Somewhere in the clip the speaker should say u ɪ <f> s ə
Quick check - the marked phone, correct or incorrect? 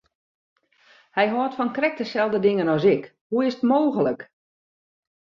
incorrect